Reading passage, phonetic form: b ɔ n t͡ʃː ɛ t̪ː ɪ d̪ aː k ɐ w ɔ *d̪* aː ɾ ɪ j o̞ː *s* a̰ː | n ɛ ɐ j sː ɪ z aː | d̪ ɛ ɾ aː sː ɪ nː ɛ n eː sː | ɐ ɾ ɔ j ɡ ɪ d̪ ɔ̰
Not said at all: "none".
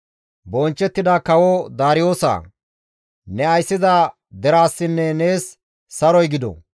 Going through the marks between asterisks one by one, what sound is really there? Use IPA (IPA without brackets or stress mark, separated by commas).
d̪, s